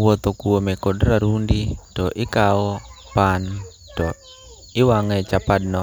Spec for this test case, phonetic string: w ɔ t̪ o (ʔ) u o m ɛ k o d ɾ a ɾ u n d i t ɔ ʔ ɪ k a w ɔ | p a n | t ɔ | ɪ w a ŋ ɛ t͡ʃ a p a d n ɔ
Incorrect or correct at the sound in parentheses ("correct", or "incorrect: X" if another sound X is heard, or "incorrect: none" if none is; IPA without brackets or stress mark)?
incorrect: k